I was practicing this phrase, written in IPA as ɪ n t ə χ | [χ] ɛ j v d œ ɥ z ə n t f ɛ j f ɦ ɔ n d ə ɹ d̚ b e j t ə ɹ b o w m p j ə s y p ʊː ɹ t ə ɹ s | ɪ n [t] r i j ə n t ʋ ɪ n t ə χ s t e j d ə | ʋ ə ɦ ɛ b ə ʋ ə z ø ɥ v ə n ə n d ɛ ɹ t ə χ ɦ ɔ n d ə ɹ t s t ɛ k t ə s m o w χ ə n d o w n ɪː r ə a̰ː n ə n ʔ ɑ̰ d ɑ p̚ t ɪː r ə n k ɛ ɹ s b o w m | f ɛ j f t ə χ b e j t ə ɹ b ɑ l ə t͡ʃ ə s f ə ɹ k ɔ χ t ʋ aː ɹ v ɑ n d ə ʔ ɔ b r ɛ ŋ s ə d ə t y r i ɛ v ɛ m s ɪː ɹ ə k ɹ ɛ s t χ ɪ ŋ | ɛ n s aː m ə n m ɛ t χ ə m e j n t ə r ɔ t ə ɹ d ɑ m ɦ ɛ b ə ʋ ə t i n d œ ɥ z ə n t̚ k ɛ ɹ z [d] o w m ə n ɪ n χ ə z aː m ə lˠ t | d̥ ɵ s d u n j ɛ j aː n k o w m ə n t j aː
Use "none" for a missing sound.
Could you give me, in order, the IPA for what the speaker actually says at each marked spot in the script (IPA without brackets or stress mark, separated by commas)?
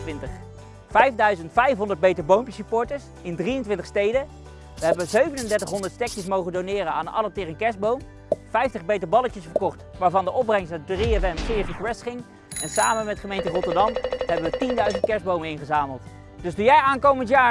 f, d, b